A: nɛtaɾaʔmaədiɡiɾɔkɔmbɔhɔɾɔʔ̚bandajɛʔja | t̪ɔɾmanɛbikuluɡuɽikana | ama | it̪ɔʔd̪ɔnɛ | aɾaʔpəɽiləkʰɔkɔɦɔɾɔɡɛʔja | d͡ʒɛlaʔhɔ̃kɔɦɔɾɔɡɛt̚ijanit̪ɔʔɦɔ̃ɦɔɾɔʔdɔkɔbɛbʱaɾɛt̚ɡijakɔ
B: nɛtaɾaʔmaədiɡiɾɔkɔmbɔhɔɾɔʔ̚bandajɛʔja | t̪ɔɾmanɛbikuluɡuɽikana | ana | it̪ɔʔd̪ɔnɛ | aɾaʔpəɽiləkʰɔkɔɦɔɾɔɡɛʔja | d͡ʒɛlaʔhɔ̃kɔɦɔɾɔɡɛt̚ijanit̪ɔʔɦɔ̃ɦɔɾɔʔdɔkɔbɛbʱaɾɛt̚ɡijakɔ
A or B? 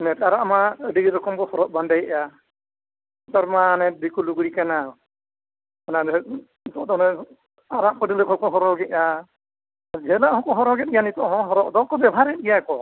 B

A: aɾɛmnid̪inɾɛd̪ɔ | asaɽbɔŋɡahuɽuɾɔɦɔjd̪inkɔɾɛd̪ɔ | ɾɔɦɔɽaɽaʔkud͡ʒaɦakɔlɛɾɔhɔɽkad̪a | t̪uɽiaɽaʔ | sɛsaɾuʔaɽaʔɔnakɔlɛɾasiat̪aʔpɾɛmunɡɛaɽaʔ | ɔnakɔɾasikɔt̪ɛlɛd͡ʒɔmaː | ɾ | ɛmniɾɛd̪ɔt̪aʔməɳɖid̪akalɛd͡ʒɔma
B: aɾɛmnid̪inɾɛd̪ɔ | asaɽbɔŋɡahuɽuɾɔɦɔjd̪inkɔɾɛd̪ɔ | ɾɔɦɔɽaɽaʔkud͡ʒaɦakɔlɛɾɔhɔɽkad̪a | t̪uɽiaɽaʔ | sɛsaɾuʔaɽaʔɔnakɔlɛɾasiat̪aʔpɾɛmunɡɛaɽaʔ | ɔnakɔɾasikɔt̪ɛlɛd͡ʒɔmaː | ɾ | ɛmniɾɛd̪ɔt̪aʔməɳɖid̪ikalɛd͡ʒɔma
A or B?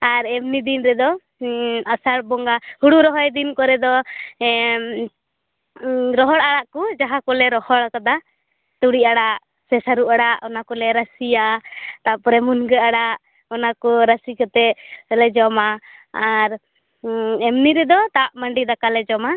A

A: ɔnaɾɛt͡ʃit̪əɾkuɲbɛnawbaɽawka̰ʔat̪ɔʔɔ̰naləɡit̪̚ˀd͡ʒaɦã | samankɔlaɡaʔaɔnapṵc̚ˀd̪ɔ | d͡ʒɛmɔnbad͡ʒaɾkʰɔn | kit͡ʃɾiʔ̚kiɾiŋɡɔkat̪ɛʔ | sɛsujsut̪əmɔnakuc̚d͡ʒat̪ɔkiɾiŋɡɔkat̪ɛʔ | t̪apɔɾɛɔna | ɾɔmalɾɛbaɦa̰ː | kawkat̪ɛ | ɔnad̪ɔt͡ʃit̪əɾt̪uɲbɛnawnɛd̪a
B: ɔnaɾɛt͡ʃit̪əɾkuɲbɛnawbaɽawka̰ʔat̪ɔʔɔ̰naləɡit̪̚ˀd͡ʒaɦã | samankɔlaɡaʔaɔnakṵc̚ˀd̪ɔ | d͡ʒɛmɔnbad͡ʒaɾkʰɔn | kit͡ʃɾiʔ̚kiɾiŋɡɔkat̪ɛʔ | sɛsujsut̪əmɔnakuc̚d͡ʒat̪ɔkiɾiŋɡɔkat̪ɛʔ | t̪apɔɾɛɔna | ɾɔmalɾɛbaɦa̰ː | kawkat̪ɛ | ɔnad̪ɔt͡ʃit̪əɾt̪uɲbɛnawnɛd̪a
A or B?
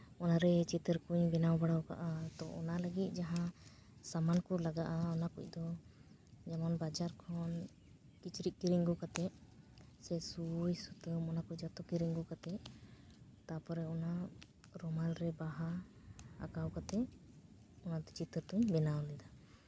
B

